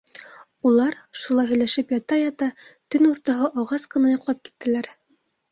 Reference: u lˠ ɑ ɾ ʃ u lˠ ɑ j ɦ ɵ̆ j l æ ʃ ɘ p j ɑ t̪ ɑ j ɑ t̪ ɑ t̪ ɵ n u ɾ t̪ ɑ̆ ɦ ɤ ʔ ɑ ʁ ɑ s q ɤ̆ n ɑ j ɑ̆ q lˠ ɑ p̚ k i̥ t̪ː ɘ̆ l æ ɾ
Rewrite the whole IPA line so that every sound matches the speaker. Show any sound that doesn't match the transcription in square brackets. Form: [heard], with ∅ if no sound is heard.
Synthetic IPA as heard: u lˠ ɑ ɾ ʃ u lˠ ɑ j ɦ ɵ̆ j l æ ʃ ɘ p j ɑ t̪ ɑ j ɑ t̪ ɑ t̪ ɵ n u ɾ t̪ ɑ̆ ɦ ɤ ʔ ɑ ʁ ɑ s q ɤ̆ n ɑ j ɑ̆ q lˠ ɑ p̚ k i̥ t̪ː ɘ̆ l æ ɾ